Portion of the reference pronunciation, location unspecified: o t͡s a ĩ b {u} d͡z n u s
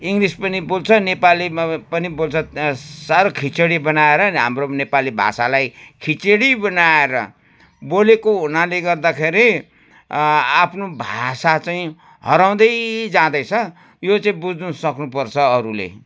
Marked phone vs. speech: correct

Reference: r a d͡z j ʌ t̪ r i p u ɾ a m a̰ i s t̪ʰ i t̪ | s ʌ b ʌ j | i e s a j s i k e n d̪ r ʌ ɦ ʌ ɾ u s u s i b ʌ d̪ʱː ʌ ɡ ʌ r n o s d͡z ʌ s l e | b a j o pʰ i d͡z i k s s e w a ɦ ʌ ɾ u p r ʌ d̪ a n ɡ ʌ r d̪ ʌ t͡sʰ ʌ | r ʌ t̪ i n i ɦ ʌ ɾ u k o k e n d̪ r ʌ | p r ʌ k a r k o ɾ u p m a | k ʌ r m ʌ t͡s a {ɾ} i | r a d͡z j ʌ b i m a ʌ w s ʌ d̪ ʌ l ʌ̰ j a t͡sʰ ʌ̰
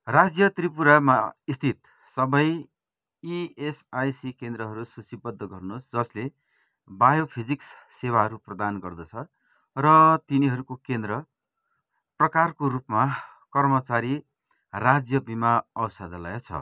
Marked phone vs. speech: correct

